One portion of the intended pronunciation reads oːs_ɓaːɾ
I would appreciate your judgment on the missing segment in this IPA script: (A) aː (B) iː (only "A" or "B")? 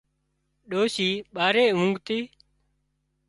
B